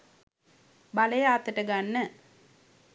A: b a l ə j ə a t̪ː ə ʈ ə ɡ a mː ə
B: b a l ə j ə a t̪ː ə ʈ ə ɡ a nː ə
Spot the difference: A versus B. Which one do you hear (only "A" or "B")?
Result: B